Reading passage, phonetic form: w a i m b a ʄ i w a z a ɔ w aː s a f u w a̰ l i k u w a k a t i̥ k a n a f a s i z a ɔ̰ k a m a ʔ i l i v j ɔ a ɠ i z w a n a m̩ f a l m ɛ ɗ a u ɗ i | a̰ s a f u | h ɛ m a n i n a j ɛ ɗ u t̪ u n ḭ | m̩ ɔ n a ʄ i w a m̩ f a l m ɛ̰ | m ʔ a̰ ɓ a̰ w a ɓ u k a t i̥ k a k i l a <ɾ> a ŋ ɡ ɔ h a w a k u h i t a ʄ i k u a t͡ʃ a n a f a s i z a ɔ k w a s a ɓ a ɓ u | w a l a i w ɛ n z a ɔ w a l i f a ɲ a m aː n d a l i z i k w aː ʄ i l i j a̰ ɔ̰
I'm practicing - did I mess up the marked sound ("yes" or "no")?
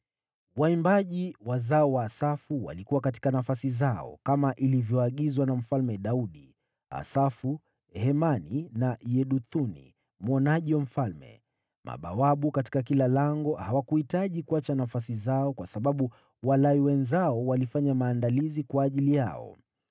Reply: yes